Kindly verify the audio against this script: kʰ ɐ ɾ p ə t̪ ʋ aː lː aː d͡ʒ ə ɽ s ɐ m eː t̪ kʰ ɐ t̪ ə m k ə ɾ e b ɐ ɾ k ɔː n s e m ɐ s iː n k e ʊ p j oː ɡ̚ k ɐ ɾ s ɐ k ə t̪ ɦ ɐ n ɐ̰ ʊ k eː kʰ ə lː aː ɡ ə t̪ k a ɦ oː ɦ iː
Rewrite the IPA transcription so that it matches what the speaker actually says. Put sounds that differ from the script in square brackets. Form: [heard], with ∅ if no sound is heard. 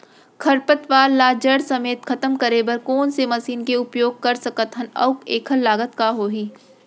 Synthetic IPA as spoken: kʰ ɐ ɾ p ə t̪ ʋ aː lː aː d͡ʒ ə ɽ s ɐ m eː t̪ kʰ ɐ t̪ ə m k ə ɾ e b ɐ ɾ k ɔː n s e m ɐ s iː n k e ʊ p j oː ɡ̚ k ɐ ɾ s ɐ k ə t̪ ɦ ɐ n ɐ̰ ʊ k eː kʰ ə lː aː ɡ ə t̪ k a ɦ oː ɦ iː